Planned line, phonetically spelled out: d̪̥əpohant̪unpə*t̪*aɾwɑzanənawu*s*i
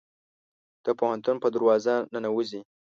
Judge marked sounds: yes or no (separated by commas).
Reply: no, no